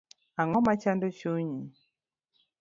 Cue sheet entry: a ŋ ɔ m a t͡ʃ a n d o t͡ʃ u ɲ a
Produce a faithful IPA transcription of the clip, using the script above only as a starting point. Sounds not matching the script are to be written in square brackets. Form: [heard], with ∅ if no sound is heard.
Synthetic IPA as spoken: a ŋ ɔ m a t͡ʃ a n d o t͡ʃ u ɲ [i]